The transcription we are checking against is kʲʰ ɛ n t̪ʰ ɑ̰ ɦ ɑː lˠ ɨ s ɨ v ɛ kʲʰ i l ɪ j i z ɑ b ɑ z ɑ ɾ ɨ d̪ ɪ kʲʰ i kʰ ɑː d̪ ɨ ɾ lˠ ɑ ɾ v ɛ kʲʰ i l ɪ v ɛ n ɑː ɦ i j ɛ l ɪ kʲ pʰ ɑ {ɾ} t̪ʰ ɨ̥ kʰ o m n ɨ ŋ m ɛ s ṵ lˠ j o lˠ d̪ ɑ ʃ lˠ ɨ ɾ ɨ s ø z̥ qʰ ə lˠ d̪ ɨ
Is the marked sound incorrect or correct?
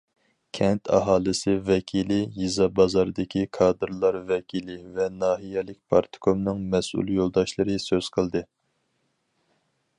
correct